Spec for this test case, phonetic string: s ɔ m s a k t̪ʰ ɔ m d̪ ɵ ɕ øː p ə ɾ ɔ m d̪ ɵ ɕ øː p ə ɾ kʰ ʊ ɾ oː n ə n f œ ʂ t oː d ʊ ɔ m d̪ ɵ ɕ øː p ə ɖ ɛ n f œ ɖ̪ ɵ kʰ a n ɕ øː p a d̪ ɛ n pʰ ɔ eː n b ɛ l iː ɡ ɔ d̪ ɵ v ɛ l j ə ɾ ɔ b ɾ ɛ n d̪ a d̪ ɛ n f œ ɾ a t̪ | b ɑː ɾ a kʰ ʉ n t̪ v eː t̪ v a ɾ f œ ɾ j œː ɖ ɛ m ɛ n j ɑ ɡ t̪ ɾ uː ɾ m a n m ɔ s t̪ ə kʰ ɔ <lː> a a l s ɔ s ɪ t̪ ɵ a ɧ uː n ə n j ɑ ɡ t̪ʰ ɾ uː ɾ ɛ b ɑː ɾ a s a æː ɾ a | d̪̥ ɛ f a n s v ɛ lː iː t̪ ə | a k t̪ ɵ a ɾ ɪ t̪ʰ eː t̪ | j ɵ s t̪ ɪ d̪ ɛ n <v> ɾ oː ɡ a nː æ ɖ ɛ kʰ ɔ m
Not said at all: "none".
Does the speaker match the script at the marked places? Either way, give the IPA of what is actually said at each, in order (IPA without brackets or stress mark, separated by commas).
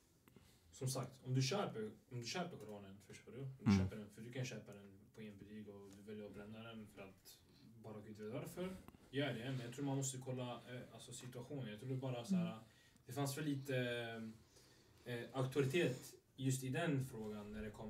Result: lː, f